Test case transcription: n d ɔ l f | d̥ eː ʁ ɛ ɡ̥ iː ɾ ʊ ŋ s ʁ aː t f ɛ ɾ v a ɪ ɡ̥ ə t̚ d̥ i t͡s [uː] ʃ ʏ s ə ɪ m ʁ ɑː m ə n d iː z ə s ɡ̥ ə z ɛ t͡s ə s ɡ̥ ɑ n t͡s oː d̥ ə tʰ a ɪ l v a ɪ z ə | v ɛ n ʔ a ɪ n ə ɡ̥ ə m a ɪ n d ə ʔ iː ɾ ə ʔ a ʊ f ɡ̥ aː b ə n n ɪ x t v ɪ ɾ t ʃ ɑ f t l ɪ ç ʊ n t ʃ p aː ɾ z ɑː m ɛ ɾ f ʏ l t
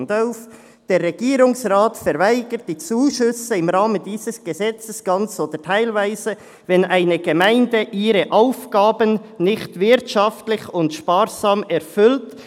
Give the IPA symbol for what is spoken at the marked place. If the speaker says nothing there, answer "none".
uː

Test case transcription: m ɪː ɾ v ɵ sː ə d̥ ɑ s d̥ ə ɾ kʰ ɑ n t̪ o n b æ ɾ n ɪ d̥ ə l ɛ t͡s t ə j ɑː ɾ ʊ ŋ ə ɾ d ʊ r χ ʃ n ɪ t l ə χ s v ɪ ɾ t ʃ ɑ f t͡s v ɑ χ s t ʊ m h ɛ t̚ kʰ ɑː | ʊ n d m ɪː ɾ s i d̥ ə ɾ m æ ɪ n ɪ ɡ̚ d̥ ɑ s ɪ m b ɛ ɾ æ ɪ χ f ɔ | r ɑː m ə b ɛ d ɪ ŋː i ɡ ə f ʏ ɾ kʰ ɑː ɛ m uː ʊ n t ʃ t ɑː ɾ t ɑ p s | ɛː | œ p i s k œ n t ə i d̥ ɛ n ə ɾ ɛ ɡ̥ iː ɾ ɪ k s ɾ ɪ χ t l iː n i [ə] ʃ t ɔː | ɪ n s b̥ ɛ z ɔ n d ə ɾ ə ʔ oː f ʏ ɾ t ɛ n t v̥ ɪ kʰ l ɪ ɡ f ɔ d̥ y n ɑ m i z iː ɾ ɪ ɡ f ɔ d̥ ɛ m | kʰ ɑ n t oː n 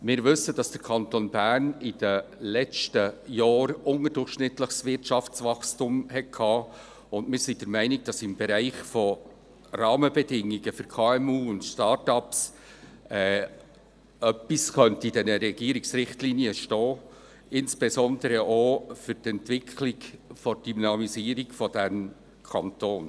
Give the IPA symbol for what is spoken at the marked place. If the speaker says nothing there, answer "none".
ə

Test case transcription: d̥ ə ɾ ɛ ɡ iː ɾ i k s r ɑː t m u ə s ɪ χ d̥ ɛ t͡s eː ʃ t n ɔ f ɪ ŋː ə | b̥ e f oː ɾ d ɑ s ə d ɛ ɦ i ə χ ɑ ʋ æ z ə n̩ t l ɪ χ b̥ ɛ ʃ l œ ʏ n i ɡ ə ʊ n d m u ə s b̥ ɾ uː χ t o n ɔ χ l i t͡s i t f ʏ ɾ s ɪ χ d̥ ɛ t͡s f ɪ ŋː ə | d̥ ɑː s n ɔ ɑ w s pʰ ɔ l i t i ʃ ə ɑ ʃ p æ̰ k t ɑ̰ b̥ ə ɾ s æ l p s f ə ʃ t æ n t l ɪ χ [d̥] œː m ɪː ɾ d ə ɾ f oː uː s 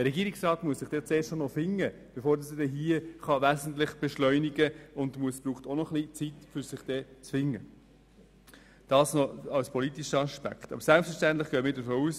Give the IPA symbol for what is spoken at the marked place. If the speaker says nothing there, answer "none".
ɡ̥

